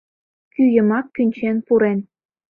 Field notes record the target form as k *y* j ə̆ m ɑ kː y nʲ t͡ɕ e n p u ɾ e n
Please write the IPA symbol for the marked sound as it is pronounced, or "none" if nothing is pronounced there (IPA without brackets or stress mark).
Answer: y